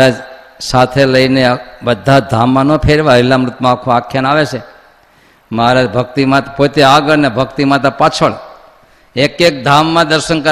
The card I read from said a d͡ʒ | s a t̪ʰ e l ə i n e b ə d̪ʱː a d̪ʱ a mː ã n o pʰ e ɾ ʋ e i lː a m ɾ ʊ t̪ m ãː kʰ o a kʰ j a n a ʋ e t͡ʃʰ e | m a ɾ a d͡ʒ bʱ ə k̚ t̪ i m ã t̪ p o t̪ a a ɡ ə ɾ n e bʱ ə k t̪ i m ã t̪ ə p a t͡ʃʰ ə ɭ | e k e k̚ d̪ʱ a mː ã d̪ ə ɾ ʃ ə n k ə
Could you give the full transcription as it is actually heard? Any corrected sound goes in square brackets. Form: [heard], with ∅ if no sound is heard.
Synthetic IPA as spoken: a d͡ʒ | s a t̪ʰ e l ə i n e b ə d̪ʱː a d̪ʱ a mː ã n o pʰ e ɾ ʋ [a] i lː a m ɾ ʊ t̪ m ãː kʰ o a kʰ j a n a ʋ e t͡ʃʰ e | m a ɾ a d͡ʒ bʱ ə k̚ t̪ i m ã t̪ p o t̪ [e] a ɡ ə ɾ n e bʱ ə k t̪ i m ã t̪ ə p a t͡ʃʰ ə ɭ | e k e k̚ d̪ʱ a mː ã d̪ ə ɾ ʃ ə n k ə